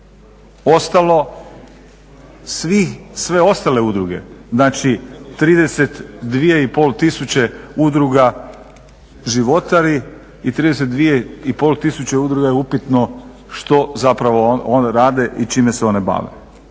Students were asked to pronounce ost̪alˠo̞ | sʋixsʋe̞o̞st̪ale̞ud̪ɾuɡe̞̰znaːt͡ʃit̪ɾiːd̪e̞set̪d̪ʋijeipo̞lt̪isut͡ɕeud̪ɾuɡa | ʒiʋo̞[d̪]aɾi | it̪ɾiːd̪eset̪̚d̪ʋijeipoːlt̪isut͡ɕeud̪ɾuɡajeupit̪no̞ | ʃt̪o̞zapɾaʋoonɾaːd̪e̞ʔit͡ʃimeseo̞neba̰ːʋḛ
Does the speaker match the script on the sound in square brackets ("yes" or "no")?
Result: no